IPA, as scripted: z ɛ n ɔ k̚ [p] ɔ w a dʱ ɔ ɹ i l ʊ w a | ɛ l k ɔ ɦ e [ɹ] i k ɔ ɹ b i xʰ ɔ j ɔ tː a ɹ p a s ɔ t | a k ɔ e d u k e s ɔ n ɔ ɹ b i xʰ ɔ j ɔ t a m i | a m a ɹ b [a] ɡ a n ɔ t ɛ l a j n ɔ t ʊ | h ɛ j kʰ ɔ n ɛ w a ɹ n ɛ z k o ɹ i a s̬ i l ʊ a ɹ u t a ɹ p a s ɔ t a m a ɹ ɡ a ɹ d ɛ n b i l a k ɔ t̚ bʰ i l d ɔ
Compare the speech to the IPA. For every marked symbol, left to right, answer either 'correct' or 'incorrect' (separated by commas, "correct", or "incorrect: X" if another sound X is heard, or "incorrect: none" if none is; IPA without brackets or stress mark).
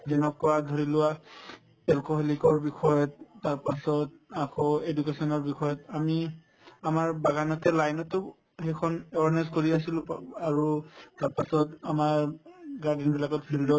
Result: incorrect: k, incorrect: l, correct